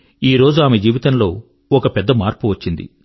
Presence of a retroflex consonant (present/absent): absent